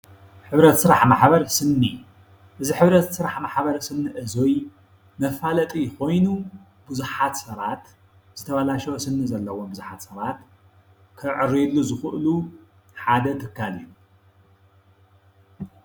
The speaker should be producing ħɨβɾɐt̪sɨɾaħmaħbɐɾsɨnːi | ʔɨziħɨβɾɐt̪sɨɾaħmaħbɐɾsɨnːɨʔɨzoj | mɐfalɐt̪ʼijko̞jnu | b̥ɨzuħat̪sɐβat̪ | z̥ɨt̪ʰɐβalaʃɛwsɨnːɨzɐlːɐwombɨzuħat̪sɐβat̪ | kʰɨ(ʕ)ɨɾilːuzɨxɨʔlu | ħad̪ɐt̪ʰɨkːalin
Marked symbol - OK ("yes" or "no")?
yes